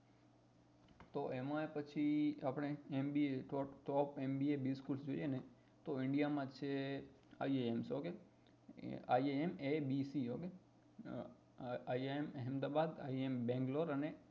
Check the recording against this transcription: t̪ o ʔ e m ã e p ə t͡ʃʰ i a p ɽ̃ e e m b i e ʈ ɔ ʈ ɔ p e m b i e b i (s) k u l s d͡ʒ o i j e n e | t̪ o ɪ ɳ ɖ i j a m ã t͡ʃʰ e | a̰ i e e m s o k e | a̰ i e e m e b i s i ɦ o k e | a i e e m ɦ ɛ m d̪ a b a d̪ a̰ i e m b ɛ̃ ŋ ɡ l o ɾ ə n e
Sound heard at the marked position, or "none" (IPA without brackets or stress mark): s